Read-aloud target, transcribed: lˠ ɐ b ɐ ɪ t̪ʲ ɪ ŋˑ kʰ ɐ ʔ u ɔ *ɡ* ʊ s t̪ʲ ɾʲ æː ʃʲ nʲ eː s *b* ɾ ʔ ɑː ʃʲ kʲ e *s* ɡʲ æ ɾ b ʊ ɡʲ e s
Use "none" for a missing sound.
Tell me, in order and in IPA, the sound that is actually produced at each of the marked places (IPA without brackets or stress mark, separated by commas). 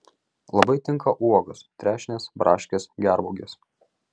ɡ, b, s